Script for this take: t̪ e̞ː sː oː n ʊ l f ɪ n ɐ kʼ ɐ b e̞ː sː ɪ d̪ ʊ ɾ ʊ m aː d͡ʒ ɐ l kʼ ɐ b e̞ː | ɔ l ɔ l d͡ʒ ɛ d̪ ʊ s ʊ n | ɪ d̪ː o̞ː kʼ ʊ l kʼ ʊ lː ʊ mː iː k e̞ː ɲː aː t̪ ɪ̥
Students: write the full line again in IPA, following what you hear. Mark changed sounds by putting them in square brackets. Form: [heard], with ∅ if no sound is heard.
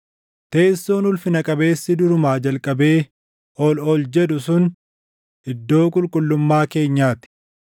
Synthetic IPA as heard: t̪ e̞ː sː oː n ʊ l f ɪ n ɐ kʼ ɐ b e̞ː sː ɪ d̪ ʊ ɾ ʊ m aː d͡ʒ ɐ l kʼ ɐ b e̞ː | ɔ l ɔ l d͡ʒ ɛ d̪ ʊ s ʊ n | ɪ d̪ː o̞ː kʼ ʊ l kʼ ʊ lː ʊ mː [aː] k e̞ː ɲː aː t̪ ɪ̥